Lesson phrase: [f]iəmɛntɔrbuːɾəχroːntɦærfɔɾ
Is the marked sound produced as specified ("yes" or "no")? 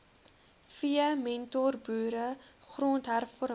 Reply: yes